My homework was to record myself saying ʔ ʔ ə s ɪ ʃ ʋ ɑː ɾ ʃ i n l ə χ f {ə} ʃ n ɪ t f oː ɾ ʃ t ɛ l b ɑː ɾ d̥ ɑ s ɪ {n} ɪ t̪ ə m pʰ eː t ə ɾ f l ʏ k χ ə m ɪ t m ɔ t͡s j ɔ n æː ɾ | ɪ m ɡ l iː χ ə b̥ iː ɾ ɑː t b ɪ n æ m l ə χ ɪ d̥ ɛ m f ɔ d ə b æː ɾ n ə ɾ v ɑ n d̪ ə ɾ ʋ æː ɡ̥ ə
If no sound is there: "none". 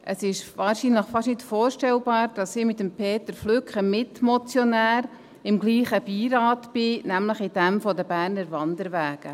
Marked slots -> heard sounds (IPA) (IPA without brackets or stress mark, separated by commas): ɑ, m